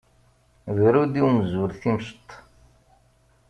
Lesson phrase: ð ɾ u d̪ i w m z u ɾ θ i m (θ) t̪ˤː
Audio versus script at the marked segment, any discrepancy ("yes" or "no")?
yes